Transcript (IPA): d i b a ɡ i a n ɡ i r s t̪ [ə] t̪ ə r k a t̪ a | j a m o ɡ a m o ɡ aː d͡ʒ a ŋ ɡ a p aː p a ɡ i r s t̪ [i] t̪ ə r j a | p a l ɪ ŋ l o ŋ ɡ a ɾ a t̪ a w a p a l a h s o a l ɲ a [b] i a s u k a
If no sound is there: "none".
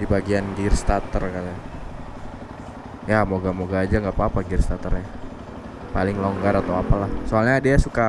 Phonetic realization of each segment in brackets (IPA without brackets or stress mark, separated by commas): a, a, d